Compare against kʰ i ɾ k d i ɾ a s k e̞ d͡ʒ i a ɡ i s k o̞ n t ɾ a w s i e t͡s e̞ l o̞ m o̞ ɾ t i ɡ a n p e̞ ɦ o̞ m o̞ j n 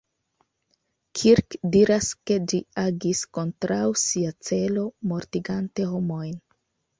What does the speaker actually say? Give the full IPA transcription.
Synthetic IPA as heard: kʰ i ɾ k d i ɾ a s k e̞ d͡ʒ i a ɡ i s k o̞ n t ɾ a w s i a t͡s e̞ l o̞ m o̞ ɾ t i ɡ a n t e̞ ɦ o̞ m o̞ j n

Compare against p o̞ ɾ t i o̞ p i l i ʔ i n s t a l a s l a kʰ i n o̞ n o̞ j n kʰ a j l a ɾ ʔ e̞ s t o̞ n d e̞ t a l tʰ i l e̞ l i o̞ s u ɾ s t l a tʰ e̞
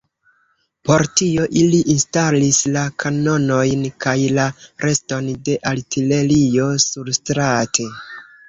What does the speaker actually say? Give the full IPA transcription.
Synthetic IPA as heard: p o̞ ɾ t i o̞ ʔ i l i ʔ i n s t a l i s l a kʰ a n o̞ n o̞ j n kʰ a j l a ɾ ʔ e̞ s t o̞ n d e̞ ʔ a l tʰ i l e̞ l i o̞ s u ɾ s t ɾ a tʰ e̞

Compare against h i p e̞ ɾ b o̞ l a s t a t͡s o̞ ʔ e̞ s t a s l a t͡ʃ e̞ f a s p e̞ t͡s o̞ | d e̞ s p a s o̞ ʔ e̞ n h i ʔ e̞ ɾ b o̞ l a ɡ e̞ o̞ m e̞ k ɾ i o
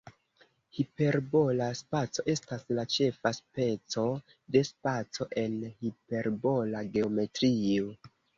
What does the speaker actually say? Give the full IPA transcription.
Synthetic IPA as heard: h i p e̞ ɾ b o̞ l a s p a t͡s o̞ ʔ e̞ s t a s l a t͡ʃ e̞ f a s p e̞ t͡s o̞ | d e̞ s p a t͡s o̞ ʔ e̞ n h i p e̞ ɾ b o̞ l a ɡ e̞ o̞ m e̞ t ɾ i o

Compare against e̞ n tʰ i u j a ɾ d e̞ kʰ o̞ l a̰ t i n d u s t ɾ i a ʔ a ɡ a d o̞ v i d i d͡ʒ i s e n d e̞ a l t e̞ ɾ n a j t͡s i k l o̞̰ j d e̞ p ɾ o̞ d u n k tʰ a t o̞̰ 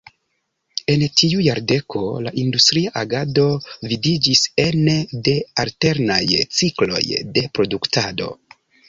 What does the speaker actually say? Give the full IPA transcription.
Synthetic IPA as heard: e̞ n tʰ i u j a ɾ d e̞ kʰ o̞ l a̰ ʔ i n d u s t ɾ i a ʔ a ɡ a d o̞ v i d i d͡ʒ i s e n d e̞ a l t e̞ ɾ n a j t͡s i k l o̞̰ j d e̞ p ɾ o̞ d u k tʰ a d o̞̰

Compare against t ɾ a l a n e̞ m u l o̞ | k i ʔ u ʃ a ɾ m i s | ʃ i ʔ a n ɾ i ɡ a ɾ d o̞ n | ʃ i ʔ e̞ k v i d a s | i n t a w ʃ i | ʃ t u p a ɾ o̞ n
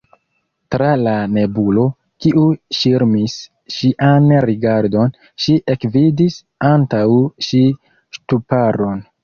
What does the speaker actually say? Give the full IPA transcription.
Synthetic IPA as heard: t ɾ a l a n e̞ b u l o̞ | k i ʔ u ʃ i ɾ m i s | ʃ i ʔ a n ɾ i ɡ a ɾ d o̞ n | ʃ i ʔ e̞ k v i d i s | a n t a w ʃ i | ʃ t u p a ɾ o̞ n

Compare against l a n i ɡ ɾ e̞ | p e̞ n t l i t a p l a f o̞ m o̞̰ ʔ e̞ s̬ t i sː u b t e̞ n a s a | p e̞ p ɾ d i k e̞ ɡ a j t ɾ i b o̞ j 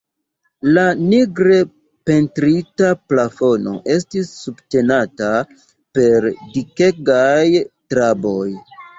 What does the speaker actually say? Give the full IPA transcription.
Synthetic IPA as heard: l a n i ɡ ɾ e̞ | p e̞ n t ɾ i t a p l a f o̞ n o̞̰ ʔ e̞ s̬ t i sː u b t e̞ n a t a | p e̞ ɾ d i k e̞ ɡ a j t ɾ a b o̞ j

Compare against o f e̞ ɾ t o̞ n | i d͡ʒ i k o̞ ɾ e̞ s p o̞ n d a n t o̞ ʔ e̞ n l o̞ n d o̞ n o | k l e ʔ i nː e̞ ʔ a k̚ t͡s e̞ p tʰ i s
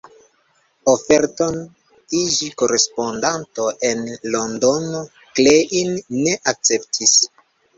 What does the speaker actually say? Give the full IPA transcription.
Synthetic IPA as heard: o f e̞ ɾ t o̞ n | i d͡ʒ i k o̞ ɾ e̞ s p o̞ n d a n t o̞ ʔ e̞ n l o̞ n d o̞ n o | k l e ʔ i nː e̞ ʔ a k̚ t͡s e̞ p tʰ i s

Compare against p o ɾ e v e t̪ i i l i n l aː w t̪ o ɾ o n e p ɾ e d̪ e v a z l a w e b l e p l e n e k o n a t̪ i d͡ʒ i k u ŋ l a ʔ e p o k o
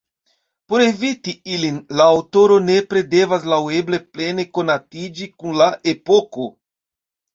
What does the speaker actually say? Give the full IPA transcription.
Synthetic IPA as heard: p o ɾ e v i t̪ i i l i n l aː w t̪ o ɾ o n e p ɾ e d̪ e v a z l a w e b l e p l e n e k o n a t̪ i d͡ʒ i k u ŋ l a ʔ e p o k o

